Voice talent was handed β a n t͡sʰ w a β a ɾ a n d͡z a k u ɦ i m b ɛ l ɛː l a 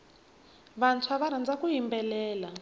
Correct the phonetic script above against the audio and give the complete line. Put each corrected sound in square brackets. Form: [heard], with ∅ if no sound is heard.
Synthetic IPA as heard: β a n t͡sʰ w a β a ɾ a n d͡z a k u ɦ i m b ɛ l ɛː l a